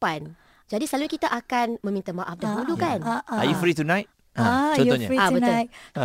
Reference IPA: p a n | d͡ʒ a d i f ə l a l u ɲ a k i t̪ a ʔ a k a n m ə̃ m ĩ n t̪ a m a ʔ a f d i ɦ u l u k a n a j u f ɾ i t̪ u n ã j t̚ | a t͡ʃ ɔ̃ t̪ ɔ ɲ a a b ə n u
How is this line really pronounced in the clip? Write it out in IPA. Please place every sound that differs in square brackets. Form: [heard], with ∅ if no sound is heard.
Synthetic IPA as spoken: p a n | d͡ʒ a d i [s] ə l a l u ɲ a k i t̪ a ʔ a k a n m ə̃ m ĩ n t̪ a m a ʔ a f d [a] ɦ u l u k a n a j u f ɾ i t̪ u n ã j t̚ | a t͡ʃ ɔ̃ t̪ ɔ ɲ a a b ə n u